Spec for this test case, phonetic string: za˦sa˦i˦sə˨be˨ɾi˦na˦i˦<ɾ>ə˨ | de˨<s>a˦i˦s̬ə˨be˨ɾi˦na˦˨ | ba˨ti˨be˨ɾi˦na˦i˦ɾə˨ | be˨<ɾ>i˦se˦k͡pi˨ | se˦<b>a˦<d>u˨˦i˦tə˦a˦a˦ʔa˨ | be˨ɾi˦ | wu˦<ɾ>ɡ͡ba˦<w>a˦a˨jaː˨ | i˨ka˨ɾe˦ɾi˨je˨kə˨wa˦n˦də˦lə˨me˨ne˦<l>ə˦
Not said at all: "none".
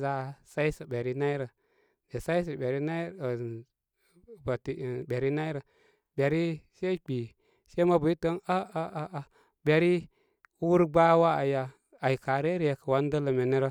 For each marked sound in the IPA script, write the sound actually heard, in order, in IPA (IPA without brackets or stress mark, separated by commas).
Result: ɾ, s, ɾ, m, b, ɾ, w, ɾ